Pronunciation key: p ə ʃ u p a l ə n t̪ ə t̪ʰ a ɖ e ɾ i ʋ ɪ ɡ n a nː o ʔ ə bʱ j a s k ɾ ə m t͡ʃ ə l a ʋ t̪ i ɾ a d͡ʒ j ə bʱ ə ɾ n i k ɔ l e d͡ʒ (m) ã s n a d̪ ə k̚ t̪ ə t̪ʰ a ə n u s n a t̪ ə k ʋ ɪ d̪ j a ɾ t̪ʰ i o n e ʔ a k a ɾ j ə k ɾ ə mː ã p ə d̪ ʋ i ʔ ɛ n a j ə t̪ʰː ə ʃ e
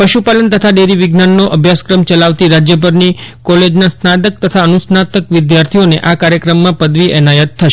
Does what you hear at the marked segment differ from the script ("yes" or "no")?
yes